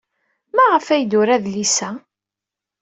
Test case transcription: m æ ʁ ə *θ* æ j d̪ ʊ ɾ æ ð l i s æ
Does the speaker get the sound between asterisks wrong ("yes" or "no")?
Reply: yes